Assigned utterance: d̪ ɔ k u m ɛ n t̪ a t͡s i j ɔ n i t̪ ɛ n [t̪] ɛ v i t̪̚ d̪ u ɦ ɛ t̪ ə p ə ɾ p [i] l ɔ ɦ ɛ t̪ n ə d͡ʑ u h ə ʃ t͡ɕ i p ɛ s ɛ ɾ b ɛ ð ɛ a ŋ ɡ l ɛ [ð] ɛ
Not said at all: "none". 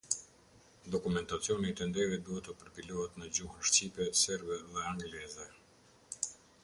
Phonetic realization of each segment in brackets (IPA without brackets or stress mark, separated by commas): d̪, i, z